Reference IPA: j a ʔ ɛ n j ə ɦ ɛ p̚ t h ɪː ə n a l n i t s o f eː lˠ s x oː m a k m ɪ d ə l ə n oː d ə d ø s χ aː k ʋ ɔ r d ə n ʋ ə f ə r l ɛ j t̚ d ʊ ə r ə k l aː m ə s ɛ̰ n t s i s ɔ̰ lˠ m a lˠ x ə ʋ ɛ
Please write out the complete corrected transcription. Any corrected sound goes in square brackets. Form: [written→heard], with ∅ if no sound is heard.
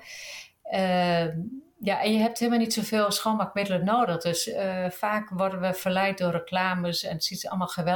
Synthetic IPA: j a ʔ ɛ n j ə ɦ ɛ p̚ t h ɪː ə [n→m] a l n i t s o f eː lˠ s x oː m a k m ɪ d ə l ə n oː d ə d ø s [χ→f] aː k ʋ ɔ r d ə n ʋ ə f ə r l ɛ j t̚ d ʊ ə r ə k l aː m ə s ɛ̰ n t s i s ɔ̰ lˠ m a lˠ x ə ʋ ɛ